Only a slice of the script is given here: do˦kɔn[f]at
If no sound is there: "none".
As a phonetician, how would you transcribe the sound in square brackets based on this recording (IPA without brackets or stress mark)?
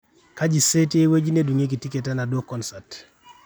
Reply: s